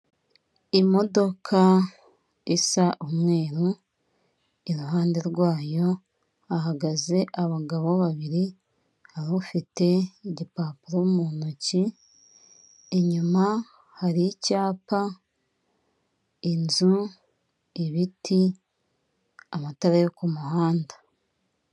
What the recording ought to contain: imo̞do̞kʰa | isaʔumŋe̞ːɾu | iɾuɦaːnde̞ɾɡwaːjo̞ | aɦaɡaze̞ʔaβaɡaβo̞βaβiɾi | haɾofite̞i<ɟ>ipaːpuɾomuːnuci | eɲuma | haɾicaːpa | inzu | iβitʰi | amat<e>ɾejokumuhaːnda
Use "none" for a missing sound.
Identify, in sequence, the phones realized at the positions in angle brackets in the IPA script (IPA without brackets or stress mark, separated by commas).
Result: ɟ, a